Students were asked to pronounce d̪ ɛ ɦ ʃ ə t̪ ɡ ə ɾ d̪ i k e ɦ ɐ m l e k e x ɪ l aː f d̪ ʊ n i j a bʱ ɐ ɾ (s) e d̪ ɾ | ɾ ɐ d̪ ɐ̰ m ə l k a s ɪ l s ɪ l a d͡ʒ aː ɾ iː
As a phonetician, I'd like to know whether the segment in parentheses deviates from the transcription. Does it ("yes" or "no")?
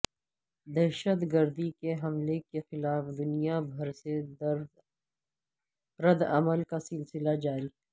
no